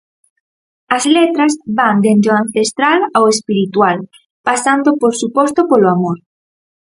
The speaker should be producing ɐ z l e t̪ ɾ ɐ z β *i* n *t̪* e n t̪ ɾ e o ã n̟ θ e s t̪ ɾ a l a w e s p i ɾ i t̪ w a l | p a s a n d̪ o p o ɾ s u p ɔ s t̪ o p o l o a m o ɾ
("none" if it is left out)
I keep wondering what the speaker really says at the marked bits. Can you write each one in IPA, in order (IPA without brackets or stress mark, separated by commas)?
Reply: a, d̪